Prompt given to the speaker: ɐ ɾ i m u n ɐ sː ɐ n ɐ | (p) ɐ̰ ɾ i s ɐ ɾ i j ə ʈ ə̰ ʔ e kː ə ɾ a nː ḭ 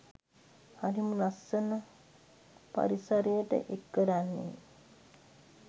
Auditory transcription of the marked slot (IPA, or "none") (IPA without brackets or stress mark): p